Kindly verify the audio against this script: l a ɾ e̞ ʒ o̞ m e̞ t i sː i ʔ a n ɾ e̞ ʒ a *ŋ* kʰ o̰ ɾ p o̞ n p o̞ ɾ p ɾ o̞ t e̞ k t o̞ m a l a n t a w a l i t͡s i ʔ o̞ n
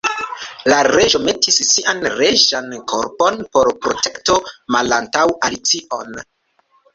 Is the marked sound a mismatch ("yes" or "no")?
yes